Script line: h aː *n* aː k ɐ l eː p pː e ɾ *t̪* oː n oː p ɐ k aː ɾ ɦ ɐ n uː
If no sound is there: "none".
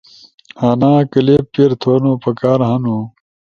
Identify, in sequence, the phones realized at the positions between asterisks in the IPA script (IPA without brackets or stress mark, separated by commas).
n, t̪ʰ